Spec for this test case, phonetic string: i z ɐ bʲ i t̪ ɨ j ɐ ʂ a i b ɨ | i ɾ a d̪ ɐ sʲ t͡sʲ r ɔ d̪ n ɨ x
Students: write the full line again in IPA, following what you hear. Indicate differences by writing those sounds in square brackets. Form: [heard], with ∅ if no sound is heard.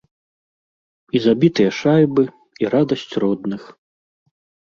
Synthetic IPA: i z [a] bʲ i t̪ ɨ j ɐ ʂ a [j] b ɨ | i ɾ a d̪ ɐ sʲ t͡sʲ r ɔ d̪ n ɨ x

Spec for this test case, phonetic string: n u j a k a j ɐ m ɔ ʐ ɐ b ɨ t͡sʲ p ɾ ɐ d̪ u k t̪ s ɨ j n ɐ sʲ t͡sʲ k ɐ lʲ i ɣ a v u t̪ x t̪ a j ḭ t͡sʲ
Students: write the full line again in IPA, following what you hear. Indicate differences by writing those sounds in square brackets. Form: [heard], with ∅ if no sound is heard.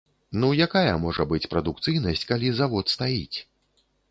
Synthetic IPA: n u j a k a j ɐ m ɔ ʐ ɐ b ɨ t͡sʲ p ɾ ɐ d̪ u k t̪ s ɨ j n ɐ sʲ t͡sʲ k [a] lʲ i [z] a v [ɔ] t̪ [s] t̪ a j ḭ t͡sʲ

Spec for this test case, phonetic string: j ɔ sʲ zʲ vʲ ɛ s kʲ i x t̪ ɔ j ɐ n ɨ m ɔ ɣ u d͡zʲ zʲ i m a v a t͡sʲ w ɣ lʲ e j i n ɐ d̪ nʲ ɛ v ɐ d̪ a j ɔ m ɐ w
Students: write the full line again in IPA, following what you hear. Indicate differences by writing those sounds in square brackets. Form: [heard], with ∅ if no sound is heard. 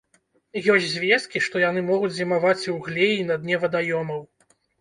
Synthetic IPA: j ɔ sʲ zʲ vʲ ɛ s kʲ i [ʂ] t̪ ɔ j [a] n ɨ m ɔ ɣ u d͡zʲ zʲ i m a v a t͡sʲ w ɣ lʲ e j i n ɐ d̪ nʲ ɛ v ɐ d̪ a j ɔ m ɐ w

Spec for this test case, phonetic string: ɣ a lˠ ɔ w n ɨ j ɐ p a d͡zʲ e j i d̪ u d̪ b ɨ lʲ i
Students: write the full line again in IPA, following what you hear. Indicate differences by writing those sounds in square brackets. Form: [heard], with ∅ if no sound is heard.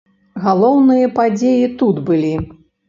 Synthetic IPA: ɣ a lˠ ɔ w n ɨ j ɐ p a d͡zʲ e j i [t̪] u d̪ b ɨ lʲ i

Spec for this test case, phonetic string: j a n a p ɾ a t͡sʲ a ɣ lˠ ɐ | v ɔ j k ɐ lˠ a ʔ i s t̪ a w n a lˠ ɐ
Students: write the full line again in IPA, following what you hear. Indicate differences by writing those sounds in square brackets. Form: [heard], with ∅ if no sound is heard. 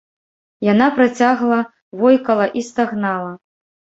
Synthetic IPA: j a n a p ɾ a t͡sʲ a ɣ lˠ ɐ | v ɔ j k ɐ lˠ [ɐ] ʔ i s t̪ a [ɣ] n a lˠ ɐ

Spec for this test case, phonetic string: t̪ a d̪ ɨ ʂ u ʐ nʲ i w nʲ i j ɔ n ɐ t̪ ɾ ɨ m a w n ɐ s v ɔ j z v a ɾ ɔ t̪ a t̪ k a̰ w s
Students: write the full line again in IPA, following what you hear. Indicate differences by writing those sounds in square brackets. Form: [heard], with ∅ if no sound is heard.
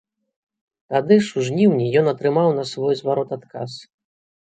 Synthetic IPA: t̪ a d̪ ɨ ʂ u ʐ nʲ i w nʲ i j ɔ n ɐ t̪ ɾ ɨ m a w n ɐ s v ɔ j z v a ɾ ɔ t̪ a t̪ k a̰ [∅] s

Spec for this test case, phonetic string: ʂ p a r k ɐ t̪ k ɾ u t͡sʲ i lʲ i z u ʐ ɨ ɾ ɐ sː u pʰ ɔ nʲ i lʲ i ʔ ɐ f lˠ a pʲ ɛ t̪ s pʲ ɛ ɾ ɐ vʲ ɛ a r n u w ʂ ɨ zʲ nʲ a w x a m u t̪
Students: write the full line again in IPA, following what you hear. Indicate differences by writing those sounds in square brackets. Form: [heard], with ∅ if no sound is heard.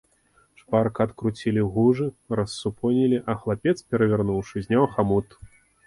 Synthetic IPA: ʂ p a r k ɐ t̪ k ɾ u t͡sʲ i lʲ i [ɣ] u ʐ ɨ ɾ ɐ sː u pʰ ɔ nʲ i lʲ i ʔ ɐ [x] lˠ a pʲ ɛ t̪ s pʲ ɛ ɾ ɐ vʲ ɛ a r n u w ʂ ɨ zʲ nʲ a w x a m u t̪

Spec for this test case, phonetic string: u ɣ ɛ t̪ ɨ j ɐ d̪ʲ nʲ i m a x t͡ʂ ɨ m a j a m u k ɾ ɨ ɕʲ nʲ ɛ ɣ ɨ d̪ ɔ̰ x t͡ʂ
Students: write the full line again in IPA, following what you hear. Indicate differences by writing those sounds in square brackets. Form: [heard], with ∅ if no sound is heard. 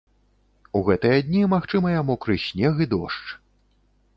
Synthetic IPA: u ɣ ɛ t̪ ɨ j ɐ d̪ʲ nʲ i m a x t͡ʂ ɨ m [ɐ] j a m u k ɾ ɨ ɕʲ nʲ ɛ ɣ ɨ d̪ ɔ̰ [ʂ] t͡ʂ

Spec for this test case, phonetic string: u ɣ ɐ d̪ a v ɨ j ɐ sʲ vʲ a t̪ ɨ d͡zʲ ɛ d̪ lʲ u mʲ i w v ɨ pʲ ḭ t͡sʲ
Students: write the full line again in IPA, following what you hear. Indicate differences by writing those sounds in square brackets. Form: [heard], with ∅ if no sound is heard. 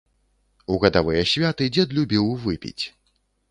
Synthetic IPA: u ɣ ɐ d̪ a v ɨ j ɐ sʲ vʲ a t̪ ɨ d͡zʲ ɛ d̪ lʲ u [bʲ] i w v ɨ pʲ ḭ t͡sʲ

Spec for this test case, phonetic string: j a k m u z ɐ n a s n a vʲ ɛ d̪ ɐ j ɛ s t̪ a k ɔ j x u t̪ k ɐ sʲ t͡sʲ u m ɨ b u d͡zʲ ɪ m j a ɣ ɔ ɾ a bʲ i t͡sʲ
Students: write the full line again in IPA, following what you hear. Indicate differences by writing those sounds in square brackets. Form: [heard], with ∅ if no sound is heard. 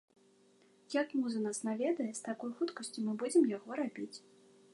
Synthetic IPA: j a k m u z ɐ n a s n a vʲ ɛ d̪ ɐ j ɛ s t̪ a k ɔ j x u t̪ k ɐ sʲ t͡sʲ u m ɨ b u d͡zʲ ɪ m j a ɣ ɔ ɾ a bʲ i t͡sʲ

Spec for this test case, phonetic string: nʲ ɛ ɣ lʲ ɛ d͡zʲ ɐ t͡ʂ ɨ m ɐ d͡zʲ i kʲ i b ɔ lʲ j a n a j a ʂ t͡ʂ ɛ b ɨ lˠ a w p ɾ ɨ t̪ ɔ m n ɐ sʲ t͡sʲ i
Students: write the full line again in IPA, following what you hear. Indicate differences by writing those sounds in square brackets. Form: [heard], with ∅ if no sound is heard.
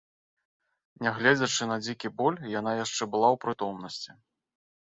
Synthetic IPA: nʲ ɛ ɣ lʲ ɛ d͡zʲ ɐ t͡ʂ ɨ [n] ɐ d͡zʲ i kʲ i b ɔ lʲ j a n a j a ʂ t͡ʂ ɛ b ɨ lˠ a w p ɾ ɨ t̪ ɔ m n ɐ sʲ t͡sʲ i

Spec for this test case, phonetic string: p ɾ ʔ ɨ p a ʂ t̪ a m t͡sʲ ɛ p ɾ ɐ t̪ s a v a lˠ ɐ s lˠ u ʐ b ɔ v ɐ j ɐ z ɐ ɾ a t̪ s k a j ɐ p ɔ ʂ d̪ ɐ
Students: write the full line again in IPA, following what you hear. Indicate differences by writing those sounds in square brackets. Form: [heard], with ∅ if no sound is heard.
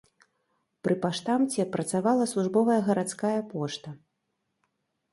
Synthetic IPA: p ɾ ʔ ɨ p a ʂ t̪ a m t͡sʲ ɛ p ɾ ɐ t̪ s a v a lˠ ɐ s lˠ u ʐ b ɔ v ɐ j ɐ [ɣ] ɐ ɾ a t̪ s k a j ɐ p ɔ ʂ [t̪] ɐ

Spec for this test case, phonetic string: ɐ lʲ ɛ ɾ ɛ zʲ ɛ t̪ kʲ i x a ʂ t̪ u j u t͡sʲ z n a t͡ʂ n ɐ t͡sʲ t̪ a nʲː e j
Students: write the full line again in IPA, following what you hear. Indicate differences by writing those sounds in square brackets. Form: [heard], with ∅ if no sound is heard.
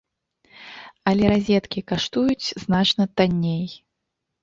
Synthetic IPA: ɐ lʲ ɛ ɾ [a] zʲ ɛ t̪ kʲ i [k] a ʂ t̪ u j u t͡sʲ z n a t͡ʂ n ɐ [∅] t̪ a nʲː e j

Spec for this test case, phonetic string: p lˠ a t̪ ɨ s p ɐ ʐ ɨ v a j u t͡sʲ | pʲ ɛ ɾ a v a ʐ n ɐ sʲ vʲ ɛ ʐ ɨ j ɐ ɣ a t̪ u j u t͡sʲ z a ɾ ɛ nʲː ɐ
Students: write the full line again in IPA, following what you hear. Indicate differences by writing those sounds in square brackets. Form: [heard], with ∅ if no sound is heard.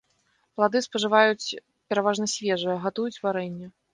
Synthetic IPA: p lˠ a [d̪] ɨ s p ɐ ʐ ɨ v a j u t͡sʲ | pʲ ɛ ɾ a v a ʐ n ɐ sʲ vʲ ɛ ʐ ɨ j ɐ ɣ a t̪ u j u t͡sʲ [v] a ɾ ɛ nʲː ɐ

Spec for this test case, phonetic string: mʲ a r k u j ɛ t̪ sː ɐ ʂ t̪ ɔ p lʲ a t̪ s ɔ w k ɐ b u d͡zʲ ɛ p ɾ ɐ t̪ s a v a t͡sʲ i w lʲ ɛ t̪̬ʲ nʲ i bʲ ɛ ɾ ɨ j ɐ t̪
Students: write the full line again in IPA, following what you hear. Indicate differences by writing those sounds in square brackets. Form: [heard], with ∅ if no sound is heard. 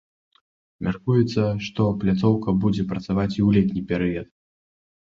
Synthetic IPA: mʲ a r k u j ɛ t̪ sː ɐ ʂ t̪ ɔ p lʲ a t̪ s ɔ w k ɐ b u d͡zʲ ɛ p ɾ ɐ t̪ s a v a t͡sʲ i w lʲ ɛ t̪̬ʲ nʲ i [pʲ] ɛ ɾ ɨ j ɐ t̪

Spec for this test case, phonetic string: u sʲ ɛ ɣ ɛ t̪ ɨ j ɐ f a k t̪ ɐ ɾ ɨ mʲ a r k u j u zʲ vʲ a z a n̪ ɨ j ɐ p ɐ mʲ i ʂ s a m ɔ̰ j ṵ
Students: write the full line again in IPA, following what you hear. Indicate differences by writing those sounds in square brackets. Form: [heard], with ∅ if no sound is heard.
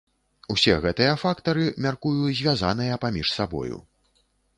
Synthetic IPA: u sʲ ɛ ɣ ɛ t̪ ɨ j ɐ f a k t̪ ɐ ɾ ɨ mʲ a r k u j u zʲ vʲ a z a n̪ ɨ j ɐ p [a] mʲ i ʂ s a [b] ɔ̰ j ṵ

